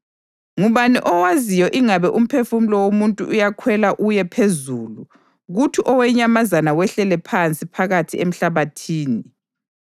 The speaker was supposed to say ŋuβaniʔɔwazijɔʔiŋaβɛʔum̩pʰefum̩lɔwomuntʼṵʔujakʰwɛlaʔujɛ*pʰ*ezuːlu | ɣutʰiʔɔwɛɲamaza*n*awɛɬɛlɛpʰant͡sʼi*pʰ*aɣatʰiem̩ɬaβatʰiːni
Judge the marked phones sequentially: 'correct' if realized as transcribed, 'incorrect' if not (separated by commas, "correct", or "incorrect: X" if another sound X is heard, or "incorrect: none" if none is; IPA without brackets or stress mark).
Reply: correct, correct, correct